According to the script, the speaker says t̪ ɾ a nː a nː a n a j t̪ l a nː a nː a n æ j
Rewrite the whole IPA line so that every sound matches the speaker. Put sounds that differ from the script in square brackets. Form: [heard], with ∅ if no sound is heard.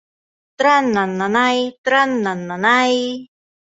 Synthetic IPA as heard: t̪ ɾ a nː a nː a n a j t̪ [ɾ] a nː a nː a n [a] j